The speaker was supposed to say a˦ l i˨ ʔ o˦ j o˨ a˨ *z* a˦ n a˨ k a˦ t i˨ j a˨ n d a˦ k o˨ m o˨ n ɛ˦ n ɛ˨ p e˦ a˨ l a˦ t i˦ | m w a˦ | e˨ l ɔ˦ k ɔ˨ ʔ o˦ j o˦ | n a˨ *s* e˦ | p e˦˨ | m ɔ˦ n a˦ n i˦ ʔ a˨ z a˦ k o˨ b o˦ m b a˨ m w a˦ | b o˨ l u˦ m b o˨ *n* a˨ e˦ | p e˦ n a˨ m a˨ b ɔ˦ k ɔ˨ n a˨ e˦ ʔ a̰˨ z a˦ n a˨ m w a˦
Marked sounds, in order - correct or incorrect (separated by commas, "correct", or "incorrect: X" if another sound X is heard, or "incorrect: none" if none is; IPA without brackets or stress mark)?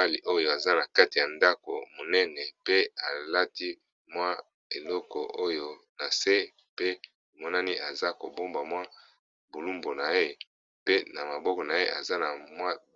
correct, correct, correct